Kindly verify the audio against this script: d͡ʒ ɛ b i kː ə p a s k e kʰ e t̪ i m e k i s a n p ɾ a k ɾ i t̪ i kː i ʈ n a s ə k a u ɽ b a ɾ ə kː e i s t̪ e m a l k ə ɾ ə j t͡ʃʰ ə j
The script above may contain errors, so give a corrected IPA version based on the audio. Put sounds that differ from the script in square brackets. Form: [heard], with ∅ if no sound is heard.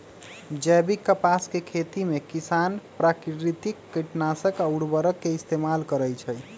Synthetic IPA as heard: d͡ʒ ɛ b i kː ə p a s k e kʰ e t̪ i m e k i s a n p ɾ a k ɾ i t̪ i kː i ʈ n a s ə k a u ɽ b [ə] ɾ ə kː e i s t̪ e m a l k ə ɾ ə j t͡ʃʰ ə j